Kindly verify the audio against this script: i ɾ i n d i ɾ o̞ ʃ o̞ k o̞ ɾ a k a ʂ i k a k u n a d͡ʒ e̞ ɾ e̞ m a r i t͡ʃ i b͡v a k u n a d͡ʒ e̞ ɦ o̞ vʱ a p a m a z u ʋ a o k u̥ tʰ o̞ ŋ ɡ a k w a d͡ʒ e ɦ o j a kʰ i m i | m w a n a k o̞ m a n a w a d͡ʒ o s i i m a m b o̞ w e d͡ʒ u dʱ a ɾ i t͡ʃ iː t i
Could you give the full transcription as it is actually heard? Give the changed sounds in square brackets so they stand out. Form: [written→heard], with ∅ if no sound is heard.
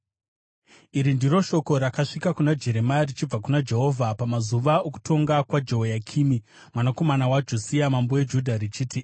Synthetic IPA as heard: i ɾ i n d i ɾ o̞ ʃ o̞ k o̞ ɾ a k a ʂ i k a k u n a d͡ʒ e̞ ɾ e̞ m a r i t͡ʃ i b͡v a k u n a d͡ʒ e̞ ɦ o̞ vʱ a p a m a z u ʋ a o k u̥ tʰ o̞ ŋ ɡ a k w a d͡ʒ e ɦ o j a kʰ i m i | m w a n a k o̞ m a n a w a d͡ʒ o s i [i→a] m a m b o̞ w e d͡ʒ u dʱ a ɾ i t͡ʃ iː t i